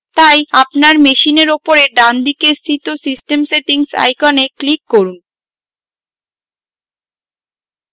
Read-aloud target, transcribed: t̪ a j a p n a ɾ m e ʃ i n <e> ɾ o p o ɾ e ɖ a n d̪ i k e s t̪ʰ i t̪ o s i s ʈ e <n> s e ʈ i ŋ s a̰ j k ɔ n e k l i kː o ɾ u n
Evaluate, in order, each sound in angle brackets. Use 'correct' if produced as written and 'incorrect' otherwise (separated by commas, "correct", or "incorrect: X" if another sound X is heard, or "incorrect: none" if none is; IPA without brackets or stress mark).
correct, incorrect: m